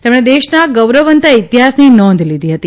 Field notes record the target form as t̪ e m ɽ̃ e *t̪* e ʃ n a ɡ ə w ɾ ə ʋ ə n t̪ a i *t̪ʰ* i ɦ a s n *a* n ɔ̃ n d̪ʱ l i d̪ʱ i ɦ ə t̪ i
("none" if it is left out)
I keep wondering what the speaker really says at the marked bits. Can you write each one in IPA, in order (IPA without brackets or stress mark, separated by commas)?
d̪, t̪, i